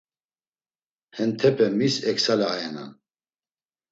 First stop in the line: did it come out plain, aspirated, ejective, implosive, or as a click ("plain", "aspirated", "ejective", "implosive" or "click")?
aspirated